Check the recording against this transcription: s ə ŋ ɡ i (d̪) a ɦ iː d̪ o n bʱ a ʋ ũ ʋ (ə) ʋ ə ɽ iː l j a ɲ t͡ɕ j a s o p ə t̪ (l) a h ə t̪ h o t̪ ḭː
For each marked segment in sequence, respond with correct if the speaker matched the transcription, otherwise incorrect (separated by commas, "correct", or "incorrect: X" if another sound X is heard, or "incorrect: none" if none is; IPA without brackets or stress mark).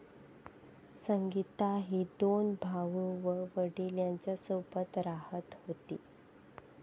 incorrect: t̪, correct, incorrect: ɾ